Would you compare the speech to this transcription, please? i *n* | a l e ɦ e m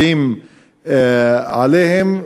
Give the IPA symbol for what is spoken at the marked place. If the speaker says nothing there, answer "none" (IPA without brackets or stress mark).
m